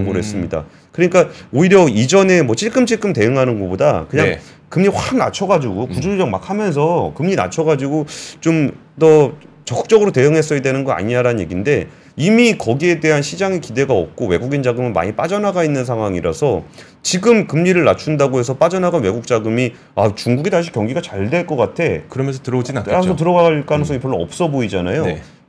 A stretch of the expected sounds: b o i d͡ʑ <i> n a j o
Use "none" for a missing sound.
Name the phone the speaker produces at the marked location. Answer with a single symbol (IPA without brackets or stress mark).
a